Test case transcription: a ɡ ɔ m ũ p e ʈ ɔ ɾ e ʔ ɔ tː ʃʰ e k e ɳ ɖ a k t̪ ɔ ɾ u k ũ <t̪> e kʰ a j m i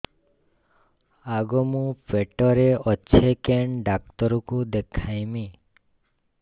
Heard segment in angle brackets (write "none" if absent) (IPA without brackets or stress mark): d̪